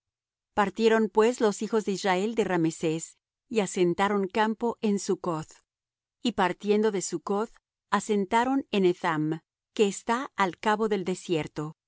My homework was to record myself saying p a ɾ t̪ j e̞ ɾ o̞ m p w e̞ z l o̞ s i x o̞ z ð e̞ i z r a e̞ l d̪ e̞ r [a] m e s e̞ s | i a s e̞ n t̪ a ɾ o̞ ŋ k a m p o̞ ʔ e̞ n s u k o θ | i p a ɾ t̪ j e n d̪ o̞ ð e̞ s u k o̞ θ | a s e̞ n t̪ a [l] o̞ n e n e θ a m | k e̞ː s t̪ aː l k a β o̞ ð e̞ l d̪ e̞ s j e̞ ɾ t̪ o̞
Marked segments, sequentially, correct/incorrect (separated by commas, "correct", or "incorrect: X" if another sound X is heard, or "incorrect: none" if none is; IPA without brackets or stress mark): correct, incorrect: ɾ